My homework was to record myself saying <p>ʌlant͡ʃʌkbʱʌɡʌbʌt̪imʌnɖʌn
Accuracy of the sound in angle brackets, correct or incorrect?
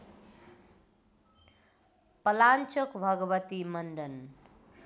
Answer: correct